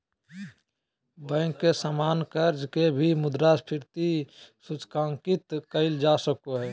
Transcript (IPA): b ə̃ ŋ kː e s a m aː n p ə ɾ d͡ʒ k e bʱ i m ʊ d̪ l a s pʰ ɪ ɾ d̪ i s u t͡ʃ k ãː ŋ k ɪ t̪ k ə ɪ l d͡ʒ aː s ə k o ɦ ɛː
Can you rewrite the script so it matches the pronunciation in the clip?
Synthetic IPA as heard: b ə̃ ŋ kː e s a m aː n k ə ɾ d͡ʒ k e bʱ i m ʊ d̪ ɾ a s pʰ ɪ ɾ t̪ i s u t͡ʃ k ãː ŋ k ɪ t̪ k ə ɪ l d͡ʒ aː s ə k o ɦ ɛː